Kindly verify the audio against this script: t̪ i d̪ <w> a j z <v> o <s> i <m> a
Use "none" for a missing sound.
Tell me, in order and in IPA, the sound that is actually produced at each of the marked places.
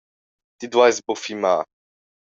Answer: w, b, f, m

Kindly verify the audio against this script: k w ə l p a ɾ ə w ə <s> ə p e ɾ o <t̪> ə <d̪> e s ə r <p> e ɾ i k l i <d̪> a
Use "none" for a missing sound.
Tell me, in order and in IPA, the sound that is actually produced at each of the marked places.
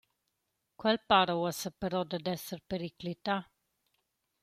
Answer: s, d̪, d̪, p, t̪

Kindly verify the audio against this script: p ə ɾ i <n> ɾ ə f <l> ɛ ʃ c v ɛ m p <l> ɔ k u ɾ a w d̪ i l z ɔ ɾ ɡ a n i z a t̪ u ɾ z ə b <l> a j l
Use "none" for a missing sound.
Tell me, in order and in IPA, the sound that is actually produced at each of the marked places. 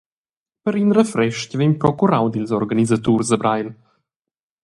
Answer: n, ɾ, ɾ, ɾ

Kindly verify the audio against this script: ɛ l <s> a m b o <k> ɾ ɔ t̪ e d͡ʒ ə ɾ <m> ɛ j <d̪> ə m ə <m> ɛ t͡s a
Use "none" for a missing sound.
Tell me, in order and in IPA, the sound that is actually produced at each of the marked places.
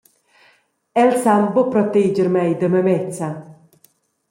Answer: s, p, m, d̪, m

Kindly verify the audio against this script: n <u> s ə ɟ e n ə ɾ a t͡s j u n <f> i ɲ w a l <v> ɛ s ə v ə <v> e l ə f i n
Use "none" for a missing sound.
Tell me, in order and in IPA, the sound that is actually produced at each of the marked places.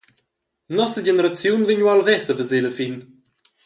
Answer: ɔ, v, v, z

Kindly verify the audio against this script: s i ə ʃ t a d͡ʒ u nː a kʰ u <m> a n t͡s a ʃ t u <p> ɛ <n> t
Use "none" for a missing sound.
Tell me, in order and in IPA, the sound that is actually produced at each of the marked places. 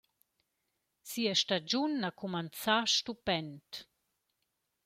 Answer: m, p, n

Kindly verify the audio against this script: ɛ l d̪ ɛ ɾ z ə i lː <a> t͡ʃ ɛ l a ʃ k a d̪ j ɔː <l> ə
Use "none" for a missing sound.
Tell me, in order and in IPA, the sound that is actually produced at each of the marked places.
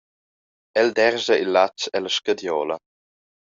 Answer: a, l

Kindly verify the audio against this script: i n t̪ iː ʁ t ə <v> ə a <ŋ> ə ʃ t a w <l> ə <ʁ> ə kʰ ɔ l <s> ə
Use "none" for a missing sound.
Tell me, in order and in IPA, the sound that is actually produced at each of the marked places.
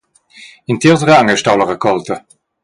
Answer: ʁ, ŋ, l, ʁ, t

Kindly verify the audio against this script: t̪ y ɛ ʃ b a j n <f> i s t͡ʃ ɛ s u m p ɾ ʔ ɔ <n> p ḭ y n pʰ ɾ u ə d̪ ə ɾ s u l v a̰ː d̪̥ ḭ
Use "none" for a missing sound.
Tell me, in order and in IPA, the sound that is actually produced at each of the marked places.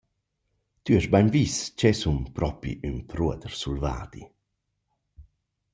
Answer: v, none

